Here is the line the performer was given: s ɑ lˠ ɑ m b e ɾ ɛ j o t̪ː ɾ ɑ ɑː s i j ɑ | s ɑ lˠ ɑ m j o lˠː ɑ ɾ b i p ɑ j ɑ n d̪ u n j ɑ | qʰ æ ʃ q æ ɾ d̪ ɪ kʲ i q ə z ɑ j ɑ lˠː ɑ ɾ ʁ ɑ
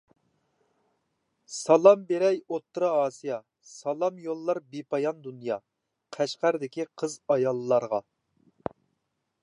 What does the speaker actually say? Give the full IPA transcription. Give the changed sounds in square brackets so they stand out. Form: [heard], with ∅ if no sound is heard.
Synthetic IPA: s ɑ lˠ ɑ m b e ɾ ɛ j o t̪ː ɾ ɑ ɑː s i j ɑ | s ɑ lˠ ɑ m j o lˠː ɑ ɾ b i p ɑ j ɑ n d̪ u n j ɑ | qʰ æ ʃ q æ ɾ d̪ ɪ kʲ i [qʰ] ə z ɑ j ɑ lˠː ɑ ɾ ʁ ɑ